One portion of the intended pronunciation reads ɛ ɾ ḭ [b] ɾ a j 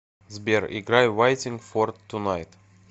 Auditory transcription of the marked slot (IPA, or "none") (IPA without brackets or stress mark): ɡ